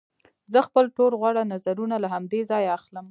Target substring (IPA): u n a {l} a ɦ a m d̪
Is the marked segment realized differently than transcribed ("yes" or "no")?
no